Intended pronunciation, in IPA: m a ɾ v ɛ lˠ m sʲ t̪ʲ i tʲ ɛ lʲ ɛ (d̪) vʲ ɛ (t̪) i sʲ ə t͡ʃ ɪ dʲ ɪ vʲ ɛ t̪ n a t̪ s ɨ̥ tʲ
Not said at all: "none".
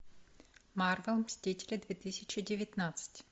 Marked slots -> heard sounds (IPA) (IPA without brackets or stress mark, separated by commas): d̪, t̪